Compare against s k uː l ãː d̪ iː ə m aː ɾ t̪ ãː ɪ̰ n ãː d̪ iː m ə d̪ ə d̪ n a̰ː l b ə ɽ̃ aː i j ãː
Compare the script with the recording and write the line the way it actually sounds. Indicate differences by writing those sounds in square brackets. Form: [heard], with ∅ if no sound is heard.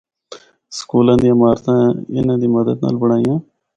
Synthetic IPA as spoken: s k uː l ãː d̪ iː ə m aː ɾ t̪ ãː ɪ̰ n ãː d̪ iː m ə d̪ ə d̪ n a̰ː l b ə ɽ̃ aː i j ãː